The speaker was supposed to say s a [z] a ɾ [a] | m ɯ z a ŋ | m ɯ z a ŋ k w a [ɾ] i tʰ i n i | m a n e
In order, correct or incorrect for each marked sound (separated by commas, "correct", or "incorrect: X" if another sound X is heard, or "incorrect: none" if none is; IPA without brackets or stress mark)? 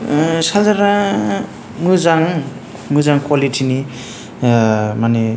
correct, correct, incorrect: l